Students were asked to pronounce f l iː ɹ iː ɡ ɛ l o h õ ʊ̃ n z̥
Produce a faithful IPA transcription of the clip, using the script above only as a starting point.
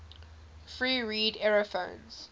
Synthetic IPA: f ɹ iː ɹ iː d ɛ ɹ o f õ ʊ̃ n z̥